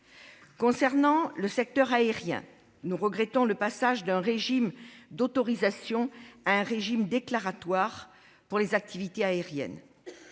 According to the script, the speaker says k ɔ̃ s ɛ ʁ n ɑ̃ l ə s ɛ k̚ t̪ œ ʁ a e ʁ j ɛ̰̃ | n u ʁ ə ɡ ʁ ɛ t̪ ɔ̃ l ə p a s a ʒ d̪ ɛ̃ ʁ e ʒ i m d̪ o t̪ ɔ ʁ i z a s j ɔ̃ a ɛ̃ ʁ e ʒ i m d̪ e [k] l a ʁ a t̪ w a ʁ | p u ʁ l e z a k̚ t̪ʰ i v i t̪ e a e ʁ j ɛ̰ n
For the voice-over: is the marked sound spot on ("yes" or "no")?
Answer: yes